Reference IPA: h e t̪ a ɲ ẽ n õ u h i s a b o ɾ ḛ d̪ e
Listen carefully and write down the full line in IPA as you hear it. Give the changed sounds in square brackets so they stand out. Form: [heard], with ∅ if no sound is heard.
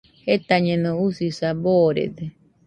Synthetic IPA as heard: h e t̪ a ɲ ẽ n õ u [s] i s a b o ɾ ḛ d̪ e